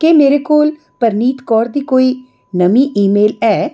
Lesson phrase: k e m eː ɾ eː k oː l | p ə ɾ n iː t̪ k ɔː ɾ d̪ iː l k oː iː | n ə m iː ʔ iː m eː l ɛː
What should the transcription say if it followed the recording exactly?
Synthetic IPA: k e m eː ɾ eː k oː l | p ə ɾ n iː t̪ k ɔː ɾ d̪ iː k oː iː | n ə m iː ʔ iː m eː l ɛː